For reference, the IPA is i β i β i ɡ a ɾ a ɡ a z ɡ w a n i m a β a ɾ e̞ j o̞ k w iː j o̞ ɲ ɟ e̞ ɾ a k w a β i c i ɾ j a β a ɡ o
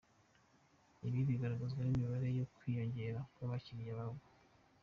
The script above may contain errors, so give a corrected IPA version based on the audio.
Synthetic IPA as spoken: i β i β i ɡ a ɾ a ɡ a z ɡ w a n i m i β a ɾ e̞ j o̞ k w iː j o̞ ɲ ɟ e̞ ɾ a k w a β a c i ɾ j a β a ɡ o